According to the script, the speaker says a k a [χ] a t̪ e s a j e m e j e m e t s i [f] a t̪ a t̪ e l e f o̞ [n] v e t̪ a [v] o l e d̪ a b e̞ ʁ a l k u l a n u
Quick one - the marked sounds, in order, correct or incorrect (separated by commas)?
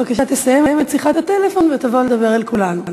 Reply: incorrect, incorrect, correct, correct